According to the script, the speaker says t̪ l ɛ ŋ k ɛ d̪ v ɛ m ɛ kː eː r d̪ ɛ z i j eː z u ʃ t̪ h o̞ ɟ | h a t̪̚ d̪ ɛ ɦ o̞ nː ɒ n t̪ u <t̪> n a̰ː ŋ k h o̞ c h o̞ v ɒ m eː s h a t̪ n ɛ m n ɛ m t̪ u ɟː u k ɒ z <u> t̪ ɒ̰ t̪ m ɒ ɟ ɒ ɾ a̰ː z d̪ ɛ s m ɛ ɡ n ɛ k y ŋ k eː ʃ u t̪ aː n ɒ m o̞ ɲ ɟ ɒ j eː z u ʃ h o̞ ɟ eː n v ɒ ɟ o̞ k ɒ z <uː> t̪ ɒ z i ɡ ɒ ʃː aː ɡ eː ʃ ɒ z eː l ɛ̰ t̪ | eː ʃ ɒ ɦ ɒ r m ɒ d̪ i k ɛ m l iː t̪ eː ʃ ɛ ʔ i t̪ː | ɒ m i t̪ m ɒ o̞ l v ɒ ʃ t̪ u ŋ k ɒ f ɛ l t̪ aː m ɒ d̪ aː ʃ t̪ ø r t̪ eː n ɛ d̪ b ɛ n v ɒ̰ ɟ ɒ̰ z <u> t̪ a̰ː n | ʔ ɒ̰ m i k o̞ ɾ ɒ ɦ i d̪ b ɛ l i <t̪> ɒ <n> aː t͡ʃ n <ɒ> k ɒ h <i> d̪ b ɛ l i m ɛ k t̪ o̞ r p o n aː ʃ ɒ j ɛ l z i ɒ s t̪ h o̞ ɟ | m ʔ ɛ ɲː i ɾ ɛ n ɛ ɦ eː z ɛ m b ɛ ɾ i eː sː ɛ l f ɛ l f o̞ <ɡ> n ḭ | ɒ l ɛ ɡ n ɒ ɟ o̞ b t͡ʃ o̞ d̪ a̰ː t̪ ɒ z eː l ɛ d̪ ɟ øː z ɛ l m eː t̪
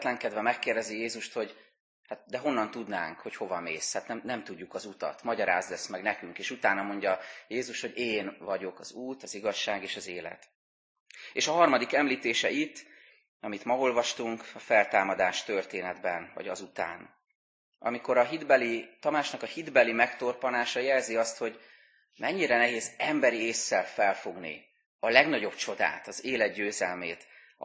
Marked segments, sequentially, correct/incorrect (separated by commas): incorrect, correct, correct, correct, correct, incorrect, correct, correct, correct